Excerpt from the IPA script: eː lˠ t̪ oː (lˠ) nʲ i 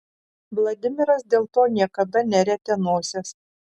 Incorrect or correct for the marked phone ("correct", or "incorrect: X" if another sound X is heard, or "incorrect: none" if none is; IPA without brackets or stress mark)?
incorrect: none